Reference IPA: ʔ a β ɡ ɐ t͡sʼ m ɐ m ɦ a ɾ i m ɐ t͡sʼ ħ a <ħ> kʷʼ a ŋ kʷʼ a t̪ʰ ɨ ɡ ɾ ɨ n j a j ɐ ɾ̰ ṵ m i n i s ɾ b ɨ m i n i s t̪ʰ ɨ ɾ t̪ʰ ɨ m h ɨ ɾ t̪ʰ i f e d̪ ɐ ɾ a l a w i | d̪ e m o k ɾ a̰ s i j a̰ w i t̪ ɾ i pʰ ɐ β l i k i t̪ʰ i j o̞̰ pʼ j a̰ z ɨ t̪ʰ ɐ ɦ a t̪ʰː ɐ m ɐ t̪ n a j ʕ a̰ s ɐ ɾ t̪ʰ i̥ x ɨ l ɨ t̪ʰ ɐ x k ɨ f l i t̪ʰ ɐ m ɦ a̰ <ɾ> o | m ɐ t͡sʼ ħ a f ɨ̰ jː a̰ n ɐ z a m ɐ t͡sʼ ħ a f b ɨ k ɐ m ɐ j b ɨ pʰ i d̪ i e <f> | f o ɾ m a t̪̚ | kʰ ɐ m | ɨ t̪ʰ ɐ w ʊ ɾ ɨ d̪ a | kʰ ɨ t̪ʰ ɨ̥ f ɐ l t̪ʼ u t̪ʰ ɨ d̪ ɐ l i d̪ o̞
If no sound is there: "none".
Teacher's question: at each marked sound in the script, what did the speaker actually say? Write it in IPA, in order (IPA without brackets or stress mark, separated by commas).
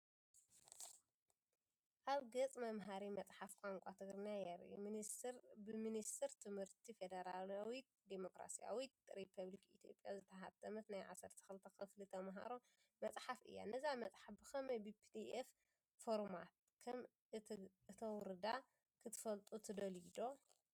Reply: f, ɾ, f